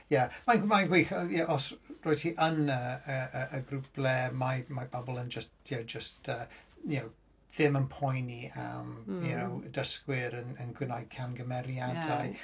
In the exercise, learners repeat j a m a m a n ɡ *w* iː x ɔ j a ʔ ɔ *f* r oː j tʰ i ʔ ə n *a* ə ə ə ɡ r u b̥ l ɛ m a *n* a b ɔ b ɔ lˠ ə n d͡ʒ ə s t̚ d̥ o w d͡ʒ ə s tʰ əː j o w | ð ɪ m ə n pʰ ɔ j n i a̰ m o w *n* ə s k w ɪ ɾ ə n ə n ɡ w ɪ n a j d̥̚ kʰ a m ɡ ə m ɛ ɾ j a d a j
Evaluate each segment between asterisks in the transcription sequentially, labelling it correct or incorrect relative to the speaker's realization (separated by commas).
correct, incorrect, incorrect, incorrect, incorrect